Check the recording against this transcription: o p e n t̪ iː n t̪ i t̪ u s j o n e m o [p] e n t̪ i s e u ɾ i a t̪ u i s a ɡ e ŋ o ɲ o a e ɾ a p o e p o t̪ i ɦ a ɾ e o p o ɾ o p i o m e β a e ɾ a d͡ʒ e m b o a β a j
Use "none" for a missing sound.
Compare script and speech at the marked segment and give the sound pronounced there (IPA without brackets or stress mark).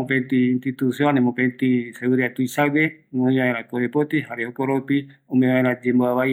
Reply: p